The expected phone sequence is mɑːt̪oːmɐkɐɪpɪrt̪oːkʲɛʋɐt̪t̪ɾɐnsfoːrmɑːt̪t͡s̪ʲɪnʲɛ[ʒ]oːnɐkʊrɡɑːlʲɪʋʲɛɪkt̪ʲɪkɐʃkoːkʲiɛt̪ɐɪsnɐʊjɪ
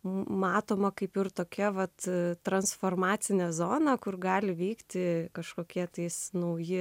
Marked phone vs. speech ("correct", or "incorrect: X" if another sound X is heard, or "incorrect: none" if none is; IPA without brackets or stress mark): incorrect: z